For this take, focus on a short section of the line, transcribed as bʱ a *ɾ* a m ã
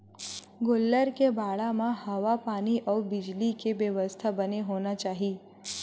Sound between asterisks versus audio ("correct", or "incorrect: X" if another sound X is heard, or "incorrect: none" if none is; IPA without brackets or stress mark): incorrect: ɭ